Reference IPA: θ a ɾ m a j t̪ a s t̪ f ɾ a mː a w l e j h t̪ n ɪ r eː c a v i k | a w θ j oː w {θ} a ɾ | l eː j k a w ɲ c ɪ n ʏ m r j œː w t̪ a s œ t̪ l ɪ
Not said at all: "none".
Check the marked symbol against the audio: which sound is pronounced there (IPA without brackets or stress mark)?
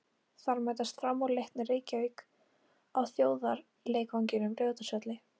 ð